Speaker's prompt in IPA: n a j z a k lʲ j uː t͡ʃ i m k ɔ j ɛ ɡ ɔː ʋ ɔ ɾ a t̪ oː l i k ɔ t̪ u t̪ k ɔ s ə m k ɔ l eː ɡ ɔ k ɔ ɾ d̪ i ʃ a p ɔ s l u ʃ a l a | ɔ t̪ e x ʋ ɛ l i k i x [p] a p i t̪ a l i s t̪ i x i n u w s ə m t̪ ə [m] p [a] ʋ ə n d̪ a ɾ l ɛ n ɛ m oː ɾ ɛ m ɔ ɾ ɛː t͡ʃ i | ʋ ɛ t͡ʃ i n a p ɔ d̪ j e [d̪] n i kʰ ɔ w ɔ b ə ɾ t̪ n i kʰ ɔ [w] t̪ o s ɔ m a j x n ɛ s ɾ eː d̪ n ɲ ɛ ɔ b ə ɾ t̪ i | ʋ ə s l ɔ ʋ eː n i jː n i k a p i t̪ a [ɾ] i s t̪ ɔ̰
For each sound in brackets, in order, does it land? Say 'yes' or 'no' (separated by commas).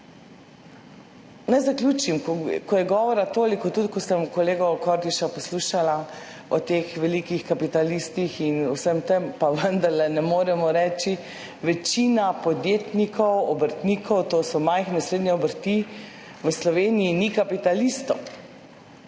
no, yes, yes, no, yes, no